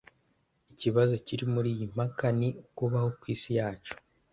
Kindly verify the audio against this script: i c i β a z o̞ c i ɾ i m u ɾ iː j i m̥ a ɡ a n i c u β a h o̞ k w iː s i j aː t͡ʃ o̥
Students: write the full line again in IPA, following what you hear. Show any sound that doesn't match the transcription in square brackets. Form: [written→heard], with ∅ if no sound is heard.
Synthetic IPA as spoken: i c i β a z o̞ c i ɾ i m u ɾ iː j i m̥ a [ɡ→k] a n i [c→k] u β a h o̞ k w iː s i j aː t͡ʃ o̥